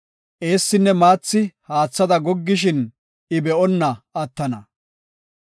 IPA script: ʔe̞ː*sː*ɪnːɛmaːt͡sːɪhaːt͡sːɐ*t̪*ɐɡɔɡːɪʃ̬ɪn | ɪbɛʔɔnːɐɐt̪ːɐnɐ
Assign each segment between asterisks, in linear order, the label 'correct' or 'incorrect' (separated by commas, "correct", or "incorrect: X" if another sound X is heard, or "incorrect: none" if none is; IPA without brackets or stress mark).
correct, incorrect: d̪